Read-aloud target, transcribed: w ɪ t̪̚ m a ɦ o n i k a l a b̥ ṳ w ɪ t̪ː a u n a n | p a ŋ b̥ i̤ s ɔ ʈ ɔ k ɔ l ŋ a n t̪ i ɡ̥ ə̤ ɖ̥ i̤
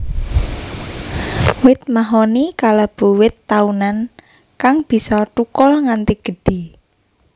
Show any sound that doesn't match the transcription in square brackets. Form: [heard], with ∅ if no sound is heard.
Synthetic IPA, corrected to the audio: w ɪ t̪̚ m a ɦ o n i k a l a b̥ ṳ w ɪ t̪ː a u n a n | [k] a ŋ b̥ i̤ s ɔ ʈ [u] k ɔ l ŋ a n t̪ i ɡ̥ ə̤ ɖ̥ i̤